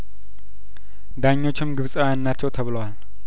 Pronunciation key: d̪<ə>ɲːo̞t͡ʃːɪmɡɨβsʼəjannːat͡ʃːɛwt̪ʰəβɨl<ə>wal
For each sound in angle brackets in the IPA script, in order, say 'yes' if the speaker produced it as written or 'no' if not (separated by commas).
no, yes